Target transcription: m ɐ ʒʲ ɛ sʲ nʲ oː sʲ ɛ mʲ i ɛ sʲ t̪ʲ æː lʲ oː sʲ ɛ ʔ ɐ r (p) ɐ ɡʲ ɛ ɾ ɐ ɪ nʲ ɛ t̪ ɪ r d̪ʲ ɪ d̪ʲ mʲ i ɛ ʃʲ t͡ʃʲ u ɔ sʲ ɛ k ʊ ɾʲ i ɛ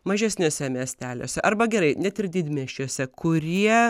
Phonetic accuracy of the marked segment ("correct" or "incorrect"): incorrect